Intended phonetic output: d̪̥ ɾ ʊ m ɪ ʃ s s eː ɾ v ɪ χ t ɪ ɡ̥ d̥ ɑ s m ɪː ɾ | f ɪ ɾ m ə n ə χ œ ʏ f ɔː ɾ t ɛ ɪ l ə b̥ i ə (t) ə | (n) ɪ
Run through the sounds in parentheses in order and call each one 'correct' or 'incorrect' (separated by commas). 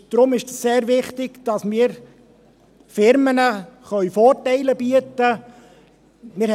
correct, incorrect